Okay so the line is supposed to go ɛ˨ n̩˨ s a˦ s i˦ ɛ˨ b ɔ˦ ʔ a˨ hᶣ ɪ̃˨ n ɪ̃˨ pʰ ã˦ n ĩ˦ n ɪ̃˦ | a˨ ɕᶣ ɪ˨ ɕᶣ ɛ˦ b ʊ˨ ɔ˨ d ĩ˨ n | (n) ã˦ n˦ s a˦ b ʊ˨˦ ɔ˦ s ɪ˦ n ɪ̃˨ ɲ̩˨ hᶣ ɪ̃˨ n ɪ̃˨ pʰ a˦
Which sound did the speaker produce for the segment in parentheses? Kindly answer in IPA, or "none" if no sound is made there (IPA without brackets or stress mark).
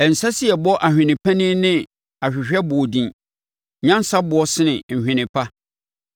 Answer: ɲ